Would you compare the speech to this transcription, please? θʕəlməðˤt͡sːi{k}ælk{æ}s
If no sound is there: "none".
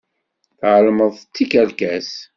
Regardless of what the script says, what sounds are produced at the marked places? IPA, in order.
k, æ

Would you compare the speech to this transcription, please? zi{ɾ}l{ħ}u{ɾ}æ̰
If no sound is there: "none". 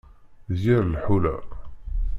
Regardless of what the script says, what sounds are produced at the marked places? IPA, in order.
ɾ, ħ, l

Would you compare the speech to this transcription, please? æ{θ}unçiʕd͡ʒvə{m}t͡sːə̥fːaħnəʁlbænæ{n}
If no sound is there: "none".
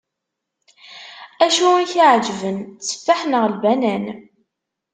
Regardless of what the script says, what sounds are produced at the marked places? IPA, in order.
ʃ, n, n

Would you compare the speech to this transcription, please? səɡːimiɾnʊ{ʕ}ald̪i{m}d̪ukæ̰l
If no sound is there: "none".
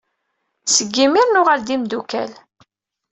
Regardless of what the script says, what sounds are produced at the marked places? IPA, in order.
ʁ, m

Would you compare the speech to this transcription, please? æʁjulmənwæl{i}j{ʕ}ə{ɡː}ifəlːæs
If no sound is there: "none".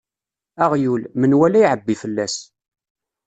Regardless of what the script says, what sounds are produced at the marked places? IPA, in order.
æ, ʕ, bː

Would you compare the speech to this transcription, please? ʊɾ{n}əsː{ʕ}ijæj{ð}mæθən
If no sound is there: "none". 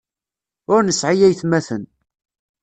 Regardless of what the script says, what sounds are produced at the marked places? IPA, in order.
n, ʕ, θ

